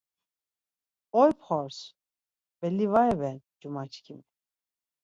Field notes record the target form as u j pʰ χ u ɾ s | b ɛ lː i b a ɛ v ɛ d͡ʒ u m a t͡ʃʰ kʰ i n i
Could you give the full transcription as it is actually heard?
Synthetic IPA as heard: ɔ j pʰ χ ɔ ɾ s | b ɛ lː i v a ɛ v ɛ d͡ʒ u m a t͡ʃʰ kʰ i m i